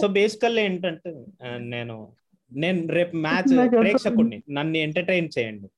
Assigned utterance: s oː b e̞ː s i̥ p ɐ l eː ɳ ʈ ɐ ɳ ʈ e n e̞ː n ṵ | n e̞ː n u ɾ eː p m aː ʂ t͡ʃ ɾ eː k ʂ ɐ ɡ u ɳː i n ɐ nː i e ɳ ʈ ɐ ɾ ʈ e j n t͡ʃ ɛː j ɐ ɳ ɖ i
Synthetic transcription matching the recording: s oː b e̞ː s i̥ k ɐ l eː ɳ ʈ ɐ ɳ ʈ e n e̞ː n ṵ | n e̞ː n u ɾ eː p m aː t͡ʃ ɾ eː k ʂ ɐ k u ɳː i n ɐ nː i e ɳ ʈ ɐ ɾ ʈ e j n t͡ʃ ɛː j ɐ ɳ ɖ i